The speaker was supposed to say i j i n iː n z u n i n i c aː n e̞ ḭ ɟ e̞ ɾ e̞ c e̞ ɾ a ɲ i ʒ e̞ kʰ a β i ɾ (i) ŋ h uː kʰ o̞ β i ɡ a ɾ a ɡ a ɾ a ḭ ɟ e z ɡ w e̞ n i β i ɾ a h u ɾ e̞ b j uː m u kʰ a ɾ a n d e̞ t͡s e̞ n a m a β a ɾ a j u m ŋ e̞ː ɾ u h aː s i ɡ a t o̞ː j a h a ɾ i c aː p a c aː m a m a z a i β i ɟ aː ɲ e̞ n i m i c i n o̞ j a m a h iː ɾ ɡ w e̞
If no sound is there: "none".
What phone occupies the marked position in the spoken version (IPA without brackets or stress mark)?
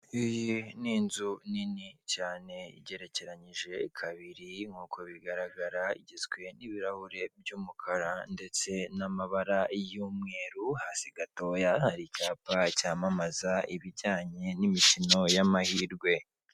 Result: i